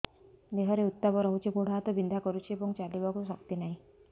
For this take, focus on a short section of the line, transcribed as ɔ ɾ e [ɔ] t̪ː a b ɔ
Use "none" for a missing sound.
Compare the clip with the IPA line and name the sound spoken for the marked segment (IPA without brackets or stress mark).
u